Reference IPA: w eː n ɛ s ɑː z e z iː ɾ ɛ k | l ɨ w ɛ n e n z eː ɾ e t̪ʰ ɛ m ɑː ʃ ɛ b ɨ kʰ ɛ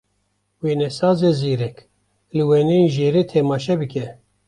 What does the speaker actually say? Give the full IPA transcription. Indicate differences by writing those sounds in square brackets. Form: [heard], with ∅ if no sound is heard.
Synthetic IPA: w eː n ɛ s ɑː z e z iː ɾ ɛ k | l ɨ w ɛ n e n [ʒ] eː ɾ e t̪ʰ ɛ m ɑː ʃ ɛ b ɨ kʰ ɛ